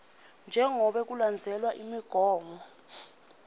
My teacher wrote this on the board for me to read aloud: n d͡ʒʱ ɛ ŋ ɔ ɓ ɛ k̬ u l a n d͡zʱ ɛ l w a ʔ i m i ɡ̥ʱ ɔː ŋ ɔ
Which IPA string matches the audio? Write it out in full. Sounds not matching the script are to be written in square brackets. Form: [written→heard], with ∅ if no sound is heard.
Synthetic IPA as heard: n d͡ʒʱ ɛ ŋ ɔ ɓ ɛ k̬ u l a n d͡zʱ ɛ l w a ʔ i m i ɡ̥ʱ ɔː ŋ ɔ